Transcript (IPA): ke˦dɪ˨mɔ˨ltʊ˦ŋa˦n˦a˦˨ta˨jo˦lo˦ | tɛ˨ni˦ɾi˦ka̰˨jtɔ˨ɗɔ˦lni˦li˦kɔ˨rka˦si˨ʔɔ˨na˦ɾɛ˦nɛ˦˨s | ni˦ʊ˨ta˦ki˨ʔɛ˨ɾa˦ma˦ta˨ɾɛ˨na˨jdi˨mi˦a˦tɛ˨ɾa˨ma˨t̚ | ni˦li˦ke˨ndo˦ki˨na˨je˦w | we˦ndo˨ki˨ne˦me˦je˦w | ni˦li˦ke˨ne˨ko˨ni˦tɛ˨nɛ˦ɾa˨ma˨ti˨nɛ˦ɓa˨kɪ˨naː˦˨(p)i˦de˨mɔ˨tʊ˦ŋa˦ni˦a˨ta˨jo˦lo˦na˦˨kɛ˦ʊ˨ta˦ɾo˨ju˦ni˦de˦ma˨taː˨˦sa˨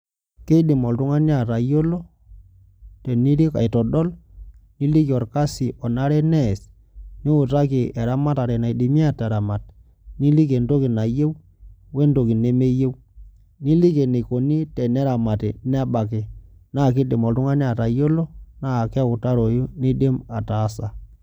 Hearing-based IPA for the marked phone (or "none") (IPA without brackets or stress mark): k